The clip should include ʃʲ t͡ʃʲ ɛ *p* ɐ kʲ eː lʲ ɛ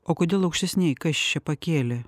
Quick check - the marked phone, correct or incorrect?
correct